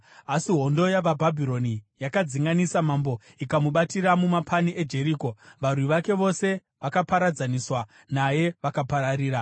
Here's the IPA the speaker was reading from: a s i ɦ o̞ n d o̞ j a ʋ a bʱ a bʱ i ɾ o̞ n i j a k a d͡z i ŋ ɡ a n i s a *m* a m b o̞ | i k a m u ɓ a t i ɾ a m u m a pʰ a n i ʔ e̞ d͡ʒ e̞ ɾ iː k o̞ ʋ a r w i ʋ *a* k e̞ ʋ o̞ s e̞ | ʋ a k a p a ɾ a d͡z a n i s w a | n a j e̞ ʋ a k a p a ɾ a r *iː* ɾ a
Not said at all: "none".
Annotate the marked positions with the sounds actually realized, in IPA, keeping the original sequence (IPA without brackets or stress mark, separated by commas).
m, a, iː